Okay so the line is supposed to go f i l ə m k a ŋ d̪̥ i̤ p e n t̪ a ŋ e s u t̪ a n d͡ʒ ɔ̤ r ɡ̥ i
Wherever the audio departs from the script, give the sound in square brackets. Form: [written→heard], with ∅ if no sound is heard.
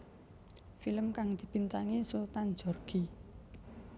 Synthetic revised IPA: f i l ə m k a ŋ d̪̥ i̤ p [e→i] n t̪ a ŋ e s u t̪ a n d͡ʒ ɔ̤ r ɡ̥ i